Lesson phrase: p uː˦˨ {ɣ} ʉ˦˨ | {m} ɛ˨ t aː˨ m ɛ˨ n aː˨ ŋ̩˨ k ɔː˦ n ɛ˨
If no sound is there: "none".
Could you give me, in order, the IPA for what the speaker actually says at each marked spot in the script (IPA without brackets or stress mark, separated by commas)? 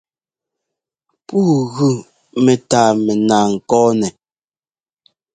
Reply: ɣ, m